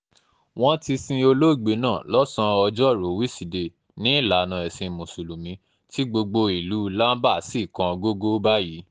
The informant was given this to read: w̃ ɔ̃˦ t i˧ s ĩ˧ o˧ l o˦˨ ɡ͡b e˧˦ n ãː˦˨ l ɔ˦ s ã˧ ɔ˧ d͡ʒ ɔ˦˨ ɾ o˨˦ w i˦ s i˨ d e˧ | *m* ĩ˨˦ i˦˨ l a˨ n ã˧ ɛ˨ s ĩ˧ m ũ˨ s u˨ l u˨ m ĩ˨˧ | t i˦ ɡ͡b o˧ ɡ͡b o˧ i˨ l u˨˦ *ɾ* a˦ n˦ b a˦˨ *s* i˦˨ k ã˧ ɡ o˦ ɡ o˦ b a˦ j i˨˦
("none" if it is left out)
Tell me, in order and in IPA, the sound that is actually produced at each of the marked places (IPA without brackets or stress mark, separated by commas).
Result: n, l, s